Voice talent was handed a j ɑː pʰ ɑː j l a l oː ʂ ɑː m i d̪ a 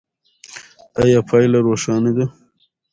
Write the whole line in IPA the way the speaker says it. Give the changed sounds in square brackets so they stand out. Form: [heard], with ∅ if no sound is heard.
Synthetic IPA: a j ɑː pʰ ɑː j l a [ɾ] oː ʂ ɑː [n] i d̪ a